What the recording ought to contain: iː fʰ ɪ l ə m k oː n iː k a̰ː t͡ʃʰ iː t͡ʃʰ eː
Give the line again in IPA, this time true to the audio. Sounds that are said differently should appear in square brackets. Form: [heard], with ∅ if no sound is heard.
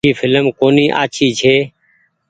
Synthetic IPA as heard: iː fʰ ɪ l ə m k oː n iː [ʔ] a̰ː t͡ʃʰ iː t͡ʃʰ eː

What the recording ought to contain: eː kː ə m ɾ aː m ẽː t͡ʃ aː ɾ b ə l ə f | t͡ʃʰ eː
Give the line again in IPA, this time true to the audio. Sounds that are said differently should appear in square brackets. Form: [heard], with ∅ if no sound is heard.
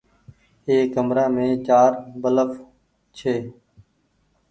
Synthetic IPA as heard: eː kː ə m ɾ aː m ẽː t͡ʃ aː ɾ b ə l ə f | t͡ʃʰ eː

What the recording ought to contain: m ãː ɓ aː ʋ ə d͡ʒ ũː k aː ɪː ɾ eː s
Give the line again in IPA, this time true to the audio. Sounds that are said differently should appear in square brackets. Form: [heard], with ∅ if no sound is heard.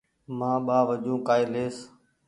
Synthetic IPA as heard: m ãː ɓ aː ʋ ə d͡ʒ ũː k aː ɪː [l] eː s

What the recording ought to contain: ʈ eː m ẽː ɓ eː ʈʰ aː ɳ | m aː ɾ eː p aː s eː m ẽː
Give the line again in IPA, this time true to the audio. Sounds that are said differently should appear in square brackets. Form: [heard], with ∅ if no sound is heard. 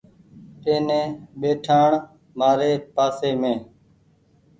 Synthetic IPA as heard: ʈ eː [n] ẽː ɓ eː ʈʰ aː ɳ | m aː ɾ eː p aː s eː m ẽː

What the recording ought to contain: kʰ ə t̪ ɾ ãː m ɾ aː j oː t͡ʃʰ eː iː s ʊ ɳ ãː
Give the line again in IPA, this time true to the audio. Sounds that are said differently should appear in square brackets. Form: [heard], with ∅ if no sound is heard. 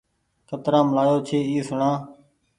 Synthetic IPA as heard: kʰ ə t̪ ɾ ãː m [l] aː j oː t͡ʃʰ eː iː s ʊ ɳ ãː

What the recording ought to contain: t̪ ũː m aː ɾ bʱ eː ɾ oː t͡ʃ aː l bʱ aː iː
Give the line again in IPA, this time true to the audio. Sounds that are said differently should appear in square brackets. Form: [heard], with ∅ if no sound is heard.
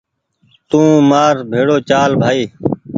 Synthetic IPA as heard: t̪ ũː m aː ɾ bʱ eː [ɽ] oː t͡ʃ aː l bʱ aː iː

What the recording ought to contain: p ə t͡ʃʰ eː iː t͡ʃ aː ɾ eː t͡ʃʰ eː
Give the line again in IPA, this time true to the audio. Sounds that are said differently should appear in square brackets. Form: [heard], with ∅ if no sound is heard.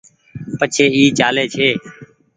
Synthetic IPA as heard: p ə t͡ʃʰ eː iː t͡ʃ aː [l] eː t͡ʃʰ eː

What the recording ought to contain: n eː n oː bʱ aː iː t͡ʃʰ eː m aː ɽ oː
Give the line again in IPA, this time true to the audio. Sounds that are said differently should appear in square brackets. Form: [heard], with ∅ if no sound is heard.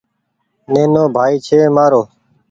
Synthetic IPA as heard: n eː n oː bʱ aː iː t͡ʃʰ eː m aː [ɾ] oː

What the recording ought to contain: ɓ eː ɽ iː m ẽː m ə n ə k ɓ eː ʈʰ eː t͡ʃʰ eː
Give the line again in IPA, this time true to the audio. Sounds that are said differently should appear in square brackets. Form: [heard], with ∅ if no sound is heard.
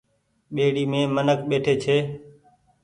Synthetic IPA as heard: ɓ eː ɽ iː m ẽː m ə n ə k ɓ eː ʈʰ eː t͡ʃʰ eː

